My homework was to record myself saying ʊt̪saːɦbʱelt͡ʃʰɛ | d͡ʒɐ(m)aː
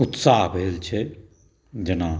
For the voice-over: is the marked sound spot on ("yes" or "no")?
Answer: no